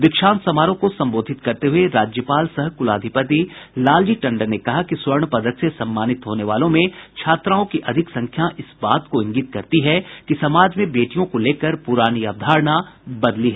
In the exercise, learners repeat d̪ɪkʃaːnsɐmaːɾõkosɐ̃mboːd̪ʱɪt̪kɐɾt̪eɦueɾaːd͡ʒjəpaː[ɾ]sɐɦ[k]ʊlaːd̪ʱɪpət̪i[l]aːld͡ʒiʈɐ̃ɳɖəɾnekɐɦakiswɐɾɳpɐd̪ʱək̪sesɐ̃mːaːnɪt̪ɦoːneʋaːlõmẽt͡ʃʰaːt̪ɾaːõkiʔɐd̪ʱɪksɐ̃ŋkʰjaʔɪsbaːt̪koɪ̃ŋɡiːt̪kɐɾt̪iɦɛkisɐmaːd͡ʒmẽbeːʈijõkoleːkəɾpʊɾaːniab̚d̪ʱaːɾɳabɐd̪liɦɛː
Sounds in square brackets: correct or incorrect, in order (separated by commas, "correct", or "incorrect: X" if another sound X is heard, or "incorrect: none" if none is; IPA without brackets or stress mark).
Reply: incorrect: l, correct, correct